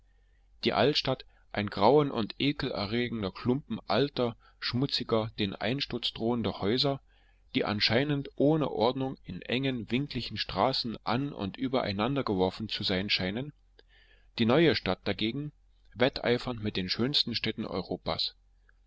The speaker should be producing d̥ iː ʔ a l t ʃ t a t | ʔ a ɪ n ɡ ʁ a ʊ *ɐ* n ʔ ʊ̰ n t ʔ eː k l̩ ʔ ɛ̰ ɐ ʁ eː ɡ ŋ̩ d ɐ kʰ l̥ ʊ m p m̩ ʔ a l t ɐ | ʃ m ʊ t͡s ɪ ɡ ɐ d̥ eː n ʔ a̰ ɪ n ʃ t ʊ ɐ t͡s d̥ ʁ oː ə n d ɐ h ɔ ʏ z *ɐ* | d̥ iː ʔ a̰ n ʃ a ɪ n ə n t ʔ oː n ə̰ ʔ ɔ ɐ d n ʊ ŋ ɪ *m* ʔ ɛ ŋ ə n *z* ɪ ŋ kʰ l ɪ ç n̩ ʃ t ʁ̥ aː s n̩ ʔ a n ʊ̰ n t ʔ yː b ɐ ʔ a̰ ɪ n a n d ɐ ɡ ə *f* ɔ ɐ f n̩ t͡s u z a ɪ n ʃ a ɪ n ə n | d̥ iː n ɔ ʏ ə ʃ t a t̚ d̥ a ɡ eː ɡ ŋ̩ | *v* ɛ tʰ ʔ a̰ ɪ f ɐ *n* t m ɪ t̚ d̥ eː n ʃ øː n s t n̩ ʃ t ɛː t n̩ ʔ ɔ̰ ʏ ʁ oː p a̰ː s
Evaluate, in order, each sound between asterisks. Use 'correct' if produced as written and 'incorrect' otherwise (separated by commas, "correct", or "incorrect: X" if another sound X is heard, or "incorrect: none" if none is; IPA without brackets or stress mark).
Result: incorrect: ə, correct, incorrect: n, incorrect: v, incorrect: v, correct, correct